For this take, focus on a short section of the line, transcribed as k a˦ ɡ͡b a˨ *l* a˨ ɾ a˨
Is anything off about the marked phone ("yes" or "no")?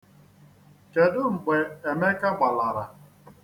no